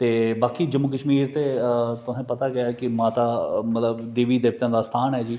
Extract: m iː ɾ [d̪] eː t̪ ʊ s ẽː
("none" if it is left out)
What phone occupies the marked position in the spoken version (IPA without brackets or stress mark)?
t̪